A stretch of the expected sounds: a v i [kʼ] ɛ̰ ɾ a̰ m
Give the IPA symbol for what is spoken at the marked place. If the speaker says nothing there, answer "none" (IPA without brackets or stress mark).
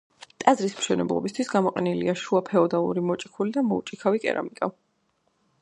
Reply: kʼ